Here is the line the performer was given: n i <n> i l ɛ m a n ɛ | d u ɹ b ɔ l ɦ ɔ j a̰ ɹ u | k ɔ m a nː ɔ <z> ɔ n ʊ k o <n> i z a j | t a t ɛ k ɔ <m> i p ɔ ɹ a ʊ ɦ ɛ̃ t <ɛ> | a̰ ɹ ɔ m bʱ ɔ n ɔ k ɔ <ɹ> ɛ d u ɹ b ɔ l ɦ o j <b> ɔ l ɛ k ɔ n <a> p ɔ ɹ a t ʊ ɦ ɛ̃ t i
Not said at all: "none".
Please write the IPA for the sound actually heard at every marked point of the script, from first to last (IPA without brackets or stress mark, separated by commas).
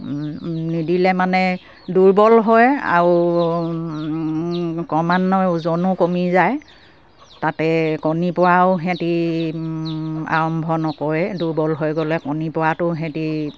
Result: d, z, m, n, i, ɹ, ɡ, i